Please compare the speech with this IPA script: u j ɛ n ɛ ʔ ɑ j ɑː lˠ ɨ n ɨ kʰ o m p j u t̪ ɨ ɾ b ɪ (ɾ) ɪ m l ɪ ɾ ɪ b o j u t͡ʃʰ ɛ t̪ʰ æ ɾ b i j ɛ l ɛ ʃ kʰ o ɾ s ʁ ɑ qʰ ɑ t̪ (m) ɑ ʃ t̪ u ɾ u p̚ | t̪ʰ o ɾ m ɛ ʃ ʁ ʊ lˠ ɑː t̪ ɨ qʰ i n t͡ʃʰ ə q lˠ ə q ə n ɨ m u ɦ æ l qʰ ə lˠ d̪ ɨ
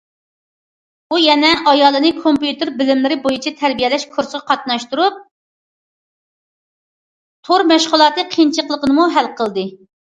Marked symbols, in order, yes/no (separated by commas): no, no